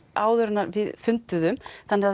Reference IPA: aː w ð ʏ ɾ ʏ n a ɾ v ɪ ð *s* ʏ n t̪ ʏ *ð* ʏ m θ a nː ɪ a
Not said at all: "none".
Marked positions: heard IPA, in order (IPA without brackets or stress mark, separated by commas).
f, ð